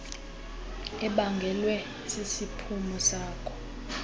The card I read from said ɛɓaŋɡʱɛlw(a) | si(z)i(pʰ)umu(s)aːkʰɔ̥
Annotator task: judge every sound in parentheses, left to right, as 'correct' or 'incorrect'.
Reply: incorrect: ɛ, incorrect: s, correct, correct

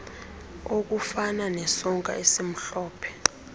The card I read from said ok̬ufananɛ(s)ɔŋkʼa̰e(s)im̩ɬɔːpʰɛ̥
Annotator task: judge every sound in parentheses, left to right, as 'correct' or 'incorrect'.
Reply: correct, correct

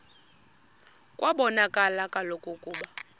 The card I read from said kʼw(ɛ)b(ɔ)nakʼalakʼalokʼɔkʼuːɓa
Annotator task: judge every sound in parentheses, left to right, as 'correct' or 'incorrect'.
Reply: incorrect: a, correct

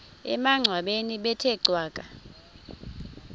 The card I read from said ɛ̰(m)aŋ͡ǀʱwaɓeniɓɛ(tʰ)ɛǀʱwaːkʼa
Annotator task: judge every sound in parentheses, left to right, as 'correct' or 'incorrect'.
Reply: correct, correct

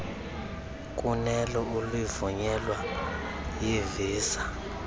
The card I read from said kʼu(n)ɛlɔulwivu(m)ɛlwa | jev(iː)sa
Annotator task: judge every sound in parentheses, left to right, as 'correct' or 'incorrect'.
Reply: correct, incorrect: ɲ, correct

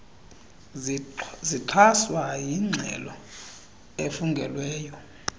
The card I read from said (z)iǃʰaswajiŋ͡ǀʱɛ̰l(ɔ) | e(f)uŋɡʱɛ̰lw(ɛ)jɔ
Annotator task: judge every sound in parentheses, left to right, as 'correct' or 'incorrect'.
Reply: correct, correct, correct, incorrect: ɛː

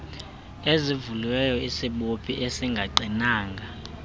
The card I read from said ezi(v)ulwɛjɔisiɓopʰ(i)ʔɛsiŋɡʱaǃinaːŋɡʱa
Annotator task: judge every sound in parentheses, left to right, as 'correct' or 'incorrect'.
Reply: correct, correct

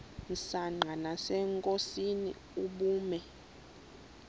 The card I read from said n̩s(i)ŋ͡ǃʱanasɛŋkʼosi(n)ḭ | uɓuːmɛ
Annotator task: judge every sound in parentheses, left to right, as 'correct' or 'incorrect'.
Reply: incorrect: a, correct

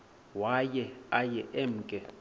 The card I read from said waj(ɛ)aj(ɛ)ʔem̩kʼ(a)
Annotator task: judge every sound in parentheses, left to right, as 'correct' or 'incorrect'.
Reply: correct, correct, incorrect: ɛ

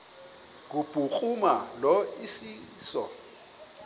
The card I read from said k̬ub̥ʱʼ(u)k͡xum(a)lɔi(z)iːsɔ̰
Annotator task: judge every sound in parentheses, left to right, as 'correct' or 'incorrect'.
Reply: correct, correct, incorrect: s

